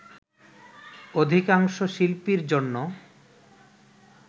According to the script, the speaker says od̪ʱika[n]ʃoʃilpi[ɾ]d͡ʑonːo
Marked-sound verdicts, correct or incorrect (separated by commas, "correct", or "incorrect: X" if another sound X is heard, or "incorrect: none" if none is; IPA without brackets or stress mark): incorrect: ŋ, correct